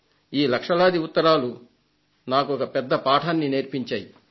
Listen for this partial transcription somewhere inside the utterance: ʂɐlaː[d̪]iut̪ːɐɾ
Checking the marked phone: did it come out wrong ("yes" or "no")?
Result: no